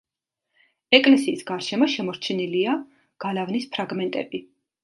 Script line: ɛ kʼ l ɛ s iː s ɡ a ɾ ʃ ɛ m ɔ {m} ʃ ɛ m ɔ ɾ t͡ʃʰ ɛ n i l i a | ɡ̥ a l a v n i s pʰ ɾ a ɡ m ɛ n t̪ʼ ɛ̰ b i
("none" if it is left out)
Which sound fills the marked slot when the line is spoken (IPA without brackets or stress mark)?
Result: none